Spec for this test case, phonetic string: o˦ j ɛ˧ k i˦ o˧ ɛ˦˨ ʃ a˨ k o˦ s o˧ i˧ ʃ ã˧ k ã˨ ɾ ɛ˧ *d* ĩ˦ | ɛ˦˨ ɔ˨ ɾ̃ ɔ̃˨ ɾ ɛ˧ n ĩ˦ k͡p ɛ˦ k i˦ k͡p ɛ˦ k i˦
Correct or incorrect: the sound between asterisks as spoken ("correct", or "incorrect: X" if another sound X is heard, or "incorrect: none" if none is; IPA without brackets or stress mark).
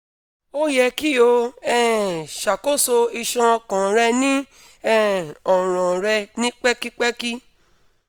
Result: incorrect: n